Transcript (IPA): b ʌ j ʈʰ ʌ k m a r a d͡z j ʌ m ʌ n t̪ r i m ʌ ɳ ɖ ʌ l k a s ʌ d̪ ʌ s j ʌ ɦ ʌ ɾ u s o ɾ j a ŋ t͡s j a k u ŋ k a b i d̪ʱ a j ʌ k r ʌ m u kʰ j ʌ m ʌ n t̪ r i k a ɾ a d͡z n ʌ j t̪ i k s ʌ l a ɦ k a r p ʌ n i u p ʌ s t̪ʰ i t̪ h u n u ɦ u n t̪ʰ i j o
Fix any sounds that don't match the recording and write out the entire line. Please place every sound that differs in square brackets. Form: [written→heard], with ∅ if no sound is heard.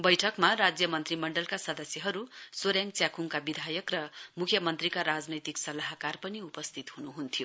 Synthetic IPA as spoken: b ʌ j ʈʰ ʌ k m a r a d͡z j ʌ m ʌ n t̪ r i m ʌ ɳ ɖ ʌ l k a s ʌ d̪ ʌ s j ʌ ɦ ʌ ɾ u s o ɾ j a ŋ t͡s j a k u ŋ k a b i d̪ʱ a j ʌ k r ʌ m u kʰ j ʌ m ʌ n t̪ r i k a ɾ a d͡z n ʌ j t̪ i k s ʌ l a ɦ k a r p ʌ n i u p ʌ s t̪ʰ i t̪ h u n u ɦ u n t̪ʰ i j o